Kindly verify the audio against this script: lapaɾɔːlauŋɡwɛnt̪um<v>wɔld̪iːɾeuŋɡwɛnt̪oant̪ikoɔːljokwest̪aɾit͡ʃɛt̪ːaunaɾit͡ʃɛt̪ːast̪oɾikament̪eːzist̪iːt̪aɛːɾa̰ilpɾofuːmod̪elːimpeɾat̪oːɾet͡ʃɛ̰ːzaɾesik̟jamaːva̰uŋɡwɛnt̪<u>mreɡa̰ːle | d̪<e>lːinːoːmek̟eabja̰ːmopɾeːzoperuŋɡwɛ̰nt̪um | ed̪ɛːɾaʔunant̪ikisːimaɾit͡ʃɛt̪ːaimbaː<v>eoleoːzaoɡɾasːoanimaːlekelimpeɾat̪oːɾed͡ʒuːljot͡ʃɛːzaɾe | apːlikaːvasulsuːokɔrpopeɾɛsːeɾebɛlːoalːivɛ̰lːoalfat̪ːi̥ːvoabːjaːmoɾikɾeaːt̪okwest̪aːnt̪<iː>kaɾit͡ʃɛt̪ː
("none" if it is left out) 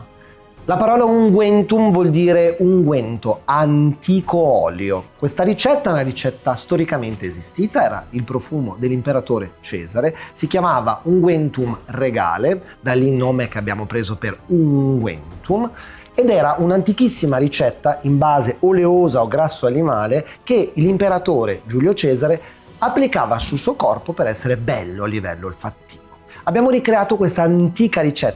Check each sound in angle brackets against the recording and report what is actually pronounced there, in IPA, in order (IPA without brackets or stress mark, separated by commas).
v, u, a, z, iː